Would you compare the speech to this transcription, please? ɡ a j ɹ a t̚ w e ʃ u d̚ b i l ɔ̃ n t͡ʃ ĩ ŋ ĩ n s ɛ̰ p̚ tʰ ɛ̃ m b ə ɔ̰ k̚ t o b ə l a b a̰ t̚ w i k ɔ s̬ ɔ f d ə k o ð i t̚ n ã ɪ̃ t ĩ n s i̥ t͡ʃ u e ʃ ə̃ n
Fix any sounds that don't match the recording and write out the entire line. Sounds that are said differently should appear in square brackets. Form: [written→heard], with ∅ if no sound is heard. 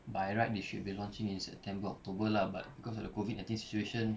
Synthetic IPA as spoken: [ɡ→b] a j ɹ a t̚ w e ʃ u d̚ b i l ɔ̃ n t͡ʃ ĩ ŋ ĩ n s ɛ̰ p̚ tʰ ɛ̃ m b ə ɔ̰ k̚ t o b ə l a b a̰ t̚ [w→b] i k ɔ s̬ ɔ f d ə k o [ð→v] i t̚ n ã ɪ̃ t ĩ n s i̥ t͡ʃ u e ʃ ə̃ n